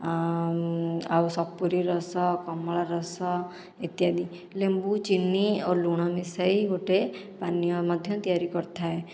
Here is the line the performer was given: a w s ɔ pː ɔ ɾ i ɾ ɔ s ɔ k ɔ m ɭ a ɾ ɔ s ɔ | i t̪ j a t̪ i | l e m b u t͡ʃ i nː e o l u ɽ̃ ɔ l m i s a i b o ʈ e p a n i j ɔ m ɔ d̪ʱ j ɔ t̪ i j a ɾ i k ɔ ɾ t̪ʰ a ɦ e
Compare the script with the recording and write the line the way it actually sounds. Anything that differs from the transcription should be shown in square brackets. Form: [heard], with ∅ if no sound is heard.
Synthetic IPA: a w s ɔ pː [u] ɾ i ɾ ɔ s ɔ k ɔ m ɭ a ɾ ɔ s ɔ | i t̪ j a [d̪] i | l e m b u t͡ʃ i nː [i] o l u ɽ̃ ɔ [∅] m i s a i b o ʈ e p a n i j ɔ m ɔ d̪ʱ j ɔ t̪ i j a ɾ i k ɔ ɾ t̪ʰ a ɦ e